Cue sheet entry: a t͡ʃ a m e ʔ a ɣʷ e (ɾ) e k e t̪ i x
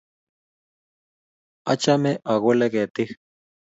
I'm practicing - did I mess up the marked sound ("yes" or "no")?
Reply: yes